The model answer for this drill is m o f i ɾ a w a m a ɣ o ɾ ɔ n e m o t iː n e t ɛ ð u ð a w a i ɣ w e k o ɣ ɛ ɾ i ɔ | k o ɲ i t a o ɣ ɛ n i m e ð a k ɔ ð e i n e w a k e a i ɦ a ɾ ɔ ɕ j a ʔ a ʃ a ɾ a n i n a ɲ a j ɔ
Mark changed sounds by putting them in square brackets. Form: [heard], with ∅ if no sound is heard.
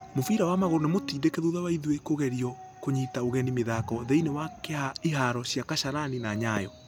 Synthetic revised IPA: m o f i ɾ a w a m a ɣ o ɾ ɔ n e m o t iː [d] e [k] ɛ ð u ð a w a i [ð] w e k o ɣ ɛ ɾ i ɔ | k o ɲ i t a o ɣ ɛ n i m e ð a k ɔ ð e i n e w a k e a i ɦ a ɾ ɔ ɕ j a [k] a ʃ a ɾ a n i n a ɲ a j ɔ